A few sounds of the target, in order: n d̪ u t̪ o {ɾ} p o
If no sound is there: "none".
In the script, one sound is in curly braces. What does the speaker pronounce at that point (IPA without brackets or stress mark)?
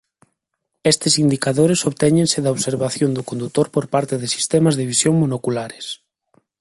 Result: ɾ